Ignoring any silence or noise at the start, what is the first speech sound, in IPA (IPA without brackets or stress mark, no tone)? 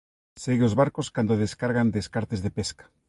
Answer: s